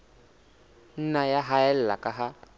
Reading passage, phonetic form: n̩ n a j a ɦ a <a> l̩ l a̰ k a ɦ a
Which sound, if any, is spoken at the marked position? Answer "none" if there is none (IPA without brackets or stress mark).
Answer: ɛ